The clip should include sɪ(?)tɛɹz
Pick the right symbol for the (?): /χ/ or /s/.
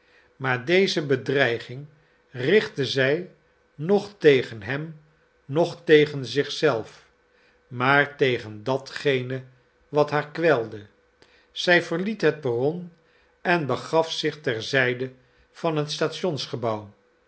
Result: χ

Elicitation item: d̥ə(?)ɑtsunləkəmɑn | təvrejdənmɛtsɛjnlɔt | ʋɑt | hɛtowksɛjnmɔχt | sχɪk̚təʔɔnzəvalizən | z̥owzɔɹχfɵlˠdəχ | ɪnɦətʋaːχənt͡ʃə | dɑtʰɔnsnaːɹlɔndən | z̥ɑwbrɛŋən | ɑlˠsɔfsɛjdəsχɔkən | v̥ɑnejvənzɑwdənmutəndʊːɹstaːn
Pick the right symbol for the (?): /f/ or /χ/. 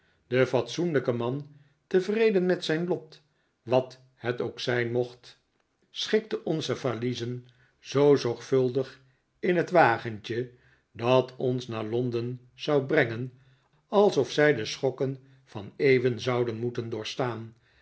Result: f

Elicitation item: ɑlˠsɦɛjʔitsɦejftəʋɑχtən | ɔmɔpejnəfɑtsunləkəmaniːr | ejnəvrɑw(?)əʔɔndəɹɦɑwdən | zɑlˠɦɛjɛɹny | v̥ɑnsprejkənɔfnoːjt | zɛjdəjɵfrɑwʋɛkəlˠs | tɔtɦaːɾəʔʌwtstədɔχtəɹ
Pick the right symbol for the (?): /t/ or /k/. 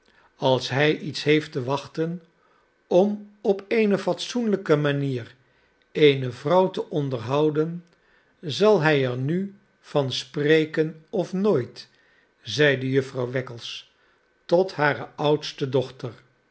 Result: t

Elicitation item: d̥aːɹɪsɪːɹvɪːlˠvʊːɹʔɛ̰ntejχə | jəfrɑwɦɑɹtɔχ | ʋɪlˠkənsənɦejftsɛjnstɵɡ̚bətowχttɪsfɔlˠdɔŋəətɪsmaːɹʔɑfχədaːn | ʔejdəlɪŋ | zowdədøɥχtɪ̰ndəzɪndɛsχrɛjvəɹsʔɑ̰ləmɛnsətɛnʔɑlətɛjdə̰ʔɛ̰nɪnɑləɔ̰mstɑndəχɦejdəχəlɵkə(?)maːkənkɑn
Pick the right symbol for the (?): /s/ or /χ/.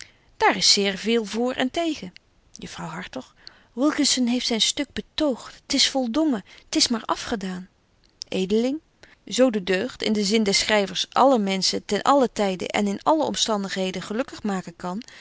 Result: χ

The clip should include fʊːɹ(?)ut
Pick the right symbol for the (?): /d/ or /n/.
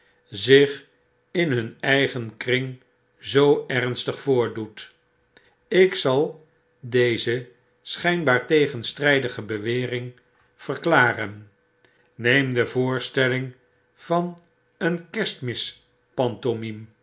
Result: d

